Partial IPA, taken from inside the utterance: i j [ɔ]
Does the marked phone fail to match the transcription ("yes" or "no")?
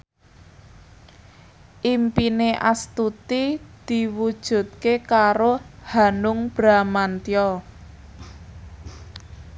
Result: no